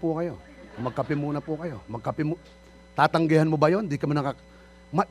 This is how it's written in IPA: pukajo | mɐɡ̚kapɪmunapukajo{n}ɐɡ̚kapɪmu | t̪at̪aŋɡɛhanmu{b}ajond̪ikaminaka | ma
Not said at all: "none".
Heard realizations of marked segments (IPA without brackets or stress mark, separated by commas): m, b